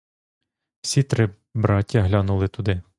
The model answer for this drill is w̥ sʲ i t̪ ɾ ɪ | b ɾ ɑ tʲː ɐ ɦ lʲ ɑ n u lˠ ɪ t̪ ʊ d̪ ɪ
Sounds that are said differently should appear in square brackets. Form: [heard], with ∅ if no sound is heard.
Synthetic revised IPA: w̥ sʲ i t̪ ɾ ɪ | b ɾ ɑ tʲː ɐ ɦ lʲ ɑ n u lˠ ɪ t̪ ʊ d̪ ɪ